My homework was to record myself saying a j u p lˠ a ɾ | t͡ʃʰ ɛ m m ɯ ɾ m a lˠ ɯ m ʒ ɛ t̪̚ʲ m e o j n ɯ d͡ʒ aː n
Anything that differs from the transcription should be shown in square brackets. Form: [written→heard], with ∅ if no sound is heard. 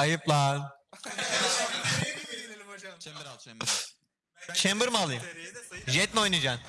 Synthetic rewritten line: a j [u→ɯ] p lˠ a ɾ | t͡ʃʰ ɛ m [m→b] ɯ ɾ m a lˠ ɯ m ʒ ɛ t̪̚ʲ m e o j n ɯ d͡ʒ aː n